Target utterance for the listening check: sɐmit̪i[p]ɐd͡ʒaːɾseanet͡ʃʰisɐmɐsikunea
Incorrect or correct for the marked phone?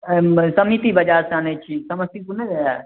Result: incorrect: b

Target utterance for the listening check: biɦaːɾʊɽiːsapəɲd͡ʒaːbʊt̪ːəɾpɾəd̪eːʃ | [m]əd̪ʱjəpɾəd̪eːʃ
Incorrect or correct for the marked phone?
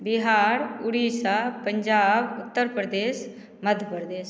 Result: correct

